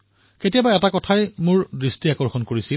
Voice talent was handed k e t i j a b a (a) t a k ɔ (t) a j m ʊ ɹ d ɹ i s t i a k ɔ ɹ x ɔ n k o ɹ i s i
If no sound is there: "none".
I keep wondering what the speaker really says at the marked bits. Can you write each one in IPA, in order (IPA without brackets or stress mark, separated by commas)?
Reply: ɛ, tʰ